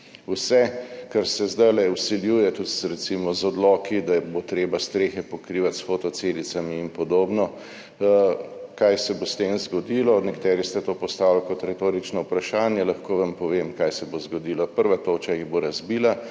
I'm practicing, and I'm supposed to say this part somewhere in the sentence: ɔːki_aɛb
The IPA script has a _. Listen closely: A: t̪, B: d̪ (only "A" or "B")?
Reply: B